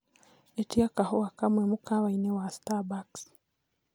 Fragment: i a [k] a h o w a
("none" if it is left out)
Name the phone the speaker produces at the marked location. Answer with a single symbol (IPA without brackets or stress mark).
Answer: k